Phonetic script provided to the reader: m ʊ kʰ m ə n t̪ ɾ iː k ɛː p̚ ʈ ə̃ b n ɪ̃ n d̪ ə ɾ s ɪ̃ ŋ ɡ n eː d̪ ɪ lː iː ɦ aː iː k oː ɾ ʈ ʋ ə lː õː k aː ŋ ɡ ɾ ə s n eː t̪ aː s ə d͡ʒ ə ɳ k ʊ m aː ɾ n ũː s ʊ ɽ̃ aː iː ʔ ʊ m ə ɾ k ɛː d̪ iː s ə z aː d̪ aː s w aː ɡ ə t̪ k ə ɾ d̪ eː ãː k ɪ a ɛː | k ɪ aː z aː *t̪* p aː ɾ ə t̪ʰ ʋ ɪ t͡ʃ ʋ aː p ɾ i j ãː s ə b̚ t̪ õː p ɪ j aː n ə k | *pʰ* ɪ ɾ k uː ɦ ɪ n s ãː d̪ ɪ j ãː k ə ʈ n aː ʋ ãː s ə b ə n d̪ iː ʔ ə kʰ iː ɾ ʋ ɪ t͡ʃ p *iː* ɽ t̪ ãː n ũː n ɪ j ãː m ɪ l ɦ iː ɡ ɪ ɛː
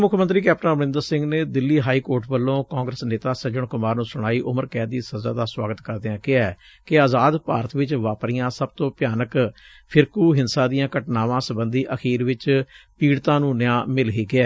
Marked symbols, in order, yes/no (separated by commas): no, yes, yes